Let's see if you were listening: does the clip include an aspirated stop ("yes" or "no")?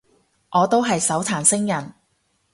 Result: yes